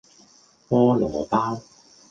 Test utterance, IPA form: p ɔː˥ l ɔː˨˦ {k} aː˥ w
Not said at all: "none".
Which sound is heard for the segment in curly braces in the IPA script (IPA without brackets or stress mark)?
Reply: p